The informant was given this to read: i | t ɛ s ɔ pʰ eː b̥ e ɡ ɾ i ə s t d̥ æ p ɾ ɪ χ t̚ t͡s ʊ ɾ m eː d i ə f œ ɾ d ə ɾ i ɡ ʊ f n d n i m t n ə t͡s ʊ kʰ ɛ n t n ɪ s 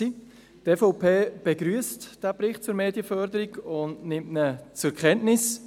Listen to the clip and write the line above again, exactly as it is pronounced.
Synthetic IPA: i | t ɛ f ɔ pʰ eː b̥ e ɡ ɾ y ə s t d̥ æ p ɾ ɪ χ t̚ t͡s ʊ ɾ m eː d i ə f œ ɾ d ə ɾ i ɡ ʊ n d n ɪ m t n ə t͡s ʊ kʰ ɛ n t n ɪ s